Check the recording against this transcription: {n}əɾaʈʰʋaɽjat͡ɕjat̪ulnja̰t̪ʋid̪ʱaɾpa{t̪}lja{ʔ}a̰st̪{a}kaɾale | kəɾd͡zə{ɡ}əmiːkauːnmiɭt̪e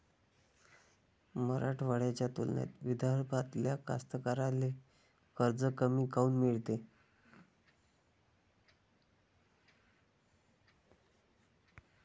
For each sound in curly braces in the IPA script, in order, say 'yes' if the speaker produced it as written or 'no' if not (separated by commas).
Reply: no, yes, no, no, no